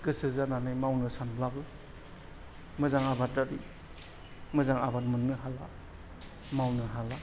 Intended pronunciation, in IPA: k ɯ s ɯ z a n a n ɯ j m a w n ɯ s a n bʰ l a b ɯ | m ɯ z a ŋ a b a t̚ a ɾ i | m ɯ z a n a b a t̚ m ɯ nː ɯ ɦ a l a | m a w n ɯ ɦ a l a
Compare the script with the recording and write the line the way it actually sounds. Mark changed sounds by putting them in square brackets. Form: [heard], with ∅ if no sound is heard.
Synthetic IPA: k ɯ s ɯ z a n a n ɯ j m a w n ɯ s a n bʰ l a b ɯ | m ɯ z a ŋ a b a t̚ a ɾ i | m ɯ z a [ŋ] a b a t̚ m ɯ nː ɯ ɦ a l a | m a w n ɯ ɦ a l a